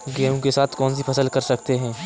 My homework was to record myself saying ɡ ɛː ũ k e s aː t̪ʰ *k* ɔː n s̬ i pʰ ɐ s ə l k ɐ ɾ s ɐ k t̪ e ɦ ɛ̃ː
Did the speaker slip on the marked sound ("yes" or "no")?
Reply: no